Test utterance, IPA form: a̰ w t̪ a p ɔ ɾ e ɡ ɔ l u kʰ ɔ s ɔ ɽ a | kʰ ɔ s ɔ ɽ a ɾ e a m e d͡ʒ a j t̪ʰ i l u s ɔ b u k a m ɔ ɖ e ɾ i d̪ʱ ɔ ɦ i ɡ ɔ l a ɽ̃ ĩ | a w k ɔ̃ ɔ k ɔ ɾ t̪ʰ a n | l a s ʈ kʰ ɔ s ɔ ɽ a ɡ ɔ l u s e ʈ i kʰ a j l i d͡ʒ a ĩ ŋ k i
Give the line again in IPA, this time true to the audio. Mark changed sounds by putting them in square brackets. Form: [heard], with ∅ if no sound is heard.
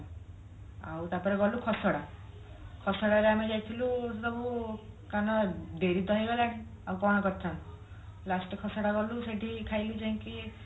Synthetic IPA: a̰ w t̪ a p ɔ ɾ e ɡ ɔ l u kʰ ɔ s ɔ ɽ a | kʰ ɔ s ɔ ɽ a ɾ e a m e d͡ʒ a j t̪ʰ i l u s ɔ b u k a [n] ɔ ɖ e ɾ i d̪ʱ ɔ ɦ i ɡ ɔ l a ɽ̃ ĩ | a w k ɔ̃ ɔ k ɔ ɾ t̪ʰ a n | l a s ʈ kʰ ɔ s ɔ ɽ a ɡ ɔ l u s e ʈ i kʰ a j l i d͡ʒ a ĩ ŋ k i